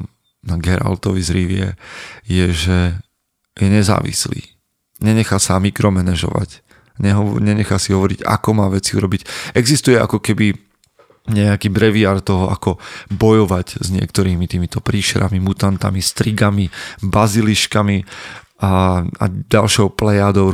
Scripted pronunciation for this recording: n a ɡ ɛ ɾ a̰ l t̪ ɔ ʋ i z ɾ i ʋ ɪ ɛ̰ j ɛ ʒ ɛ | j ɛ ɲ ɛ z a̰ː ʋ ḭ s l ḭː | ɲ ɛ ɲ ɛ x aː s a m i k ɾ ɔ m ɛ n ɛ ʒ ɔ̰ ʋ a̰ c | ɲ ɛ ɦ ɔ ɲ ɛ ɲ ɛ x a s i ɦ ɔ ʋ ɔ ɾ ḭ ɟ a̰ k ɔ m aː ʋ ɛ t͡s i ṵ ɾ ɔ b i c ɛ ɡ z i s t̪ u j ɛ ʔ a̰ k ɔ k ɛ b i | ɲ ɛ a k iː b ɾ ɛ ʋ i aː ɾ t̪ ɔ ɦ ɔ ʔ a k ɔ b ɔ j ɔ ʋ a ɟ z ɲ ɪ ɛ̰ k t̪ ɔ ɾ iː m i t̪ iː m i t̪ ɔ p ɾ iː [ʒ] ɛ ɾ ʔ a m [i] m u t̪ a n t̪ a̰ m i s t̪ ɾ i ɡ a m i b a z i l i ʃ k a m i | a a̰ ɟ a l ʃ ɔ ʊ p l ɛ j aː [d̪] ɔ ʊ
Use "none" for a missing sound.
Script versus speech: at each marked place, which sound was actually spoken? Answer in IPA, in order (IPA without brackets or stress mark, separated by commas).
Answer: ʃ, i, d̪